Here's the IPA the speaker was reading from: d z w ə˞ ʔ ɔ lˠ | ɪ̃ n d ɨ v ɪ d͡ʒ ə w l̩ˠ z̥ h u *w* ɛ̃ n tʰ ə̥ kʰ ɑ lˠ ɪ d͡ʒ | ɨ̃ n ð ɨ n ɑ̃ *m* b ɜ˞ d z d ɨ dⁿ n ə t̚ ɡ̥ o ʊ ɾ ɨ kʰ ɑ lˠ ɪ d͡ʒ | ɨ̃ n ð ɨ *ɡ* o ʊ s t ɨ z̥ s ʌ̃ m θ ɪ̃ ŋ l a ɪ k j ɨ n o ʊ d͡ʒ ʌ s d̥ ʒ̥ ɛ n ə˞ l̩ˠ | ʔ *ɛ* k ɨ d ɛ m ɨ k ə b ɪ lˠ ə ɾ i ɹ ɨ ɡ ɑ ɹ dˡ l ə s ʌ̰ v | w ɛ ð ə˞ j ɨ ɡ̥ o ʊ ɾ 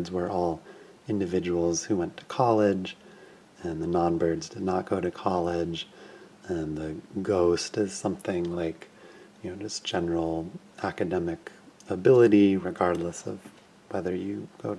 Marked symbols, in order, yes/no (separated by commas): yes, no, yes, no